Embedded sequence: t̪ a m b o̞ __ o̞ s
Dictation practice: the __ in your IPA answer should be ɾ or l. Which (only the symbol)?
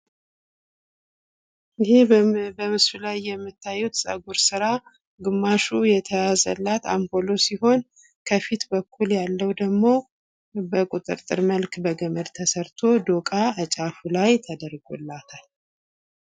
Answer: l